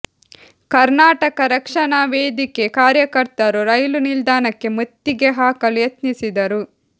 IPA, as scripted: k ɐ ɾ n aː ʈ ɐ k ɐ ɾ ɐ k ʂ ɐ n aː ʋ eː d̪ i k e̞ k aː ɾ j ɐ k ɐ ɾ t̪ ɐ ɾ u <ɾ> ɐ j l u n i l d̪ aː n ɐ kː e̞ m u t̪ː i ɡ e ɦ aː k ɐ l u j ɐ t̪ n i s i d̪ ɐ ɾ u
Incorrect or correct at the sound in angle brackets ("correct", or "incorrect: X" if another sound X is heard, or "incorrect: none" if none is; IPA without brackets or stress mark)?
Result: correct